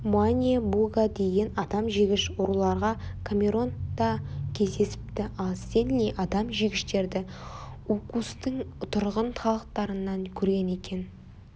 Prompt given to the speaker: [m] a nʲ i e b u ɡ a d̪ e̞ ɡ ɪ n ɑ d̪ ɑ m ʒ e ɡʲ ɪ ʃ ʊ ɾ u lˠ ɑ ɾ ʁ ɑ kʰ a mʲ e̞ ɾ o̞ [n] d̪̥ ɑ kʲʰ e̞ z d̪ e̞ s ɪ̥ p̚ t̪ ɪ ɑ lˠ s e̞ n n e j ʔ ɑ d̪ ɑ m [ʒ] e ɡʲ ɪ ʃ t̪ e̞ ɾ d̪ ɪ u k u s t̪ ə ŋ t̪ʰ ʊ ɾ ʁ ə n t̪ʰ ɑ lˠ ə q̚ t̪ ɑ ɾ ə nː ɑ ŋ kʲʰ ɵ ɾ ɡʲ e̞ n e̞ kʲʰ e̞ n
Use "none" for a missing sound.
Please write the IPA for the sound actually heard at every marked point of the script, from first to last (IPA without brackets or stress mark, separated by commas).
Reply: m, n, ʒ